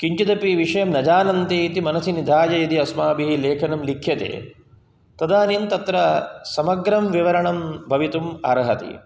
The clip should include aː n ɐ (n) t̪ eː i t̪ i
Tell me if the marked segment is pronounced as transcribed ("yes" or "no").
yes